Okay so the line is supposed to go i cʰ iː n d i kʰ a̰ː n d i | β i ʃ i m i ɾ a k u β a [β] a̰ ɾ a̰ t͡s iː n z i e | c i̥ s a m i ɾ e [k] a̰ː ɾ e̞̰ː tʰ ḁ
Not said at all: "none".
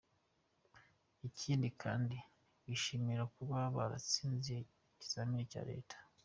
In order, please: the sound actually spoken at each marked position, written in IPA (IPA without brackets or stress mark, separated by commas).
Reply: β, c